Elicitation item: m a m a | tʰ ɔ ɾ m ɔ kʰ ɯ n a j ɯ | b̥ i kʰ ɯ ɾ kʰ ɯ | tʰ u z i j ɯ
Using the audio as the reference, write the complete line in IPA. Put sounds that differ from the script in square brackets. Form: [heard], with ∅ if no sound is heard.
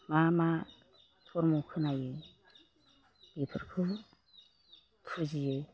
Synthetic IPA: m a m a | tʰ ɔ ɾ m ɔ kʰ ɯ n a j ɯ | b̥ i [pʰ] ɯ ɾ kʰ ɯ | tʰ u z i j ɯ